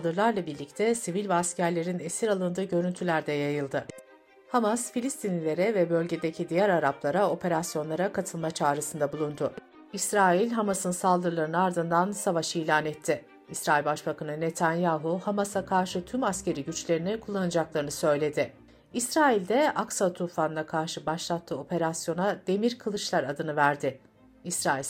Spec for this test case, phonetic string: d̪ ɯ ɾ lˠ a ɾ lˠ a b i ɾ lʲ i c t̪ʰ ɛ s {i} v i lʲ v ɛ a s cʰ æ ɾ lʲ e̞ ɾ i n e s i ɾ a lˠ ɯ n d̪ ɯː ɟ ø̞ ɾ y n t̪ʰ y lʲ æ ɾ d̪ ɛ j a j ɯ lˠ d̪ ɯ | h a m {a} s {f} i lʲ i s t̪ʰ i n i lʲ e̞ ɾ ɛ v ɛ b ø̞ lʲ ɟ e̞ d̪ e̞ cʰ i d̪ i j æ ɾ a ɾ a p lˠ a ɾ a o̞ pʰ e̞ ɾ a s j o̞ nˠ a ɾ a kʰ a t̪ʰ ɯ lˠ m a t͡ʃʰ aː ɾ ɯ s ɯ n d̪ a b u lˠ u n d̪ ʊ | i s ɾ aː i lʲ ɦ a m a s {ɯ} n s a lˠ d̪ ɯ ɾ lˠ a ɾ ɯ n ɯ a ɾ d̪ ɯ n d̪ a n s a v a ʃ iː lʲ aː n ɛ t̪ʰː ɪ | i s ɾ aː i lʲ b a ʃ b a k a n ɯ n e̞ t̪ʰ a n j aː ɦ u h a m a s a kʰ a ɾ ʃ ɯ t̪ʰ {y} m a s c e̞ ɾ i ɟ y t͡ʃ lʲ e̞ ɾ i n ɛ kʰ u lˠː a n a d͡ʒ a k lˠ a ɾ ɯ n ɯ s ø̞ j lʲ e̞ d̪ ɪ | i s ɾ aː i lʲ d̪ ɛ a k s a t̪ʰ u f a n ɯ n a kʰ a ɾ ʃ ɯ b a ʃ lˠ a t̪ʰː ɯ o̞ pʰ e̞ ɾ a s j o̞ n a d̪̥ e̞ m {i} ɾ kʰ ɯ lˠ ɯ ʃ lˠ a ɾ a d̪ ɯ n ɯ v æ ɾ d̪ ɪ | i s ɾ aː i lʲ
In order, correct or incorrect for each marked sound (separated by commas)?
correct, correct, correct, correct, correct, correct